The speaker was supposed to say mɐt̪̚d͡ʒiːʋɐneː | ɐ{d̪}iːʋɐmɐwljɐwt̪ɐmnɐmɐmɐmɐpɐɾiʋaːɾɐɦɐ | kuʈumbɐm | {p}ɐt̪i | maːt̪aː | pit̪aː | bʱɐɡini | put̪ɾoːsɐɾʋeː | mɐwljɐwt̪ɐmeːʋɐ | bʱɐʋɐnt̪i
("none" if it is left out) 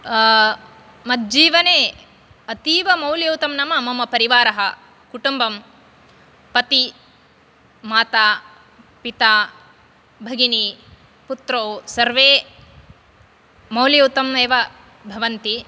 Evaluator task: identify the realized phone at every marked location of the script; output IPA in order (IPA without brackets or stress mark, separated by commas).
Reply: t̪, p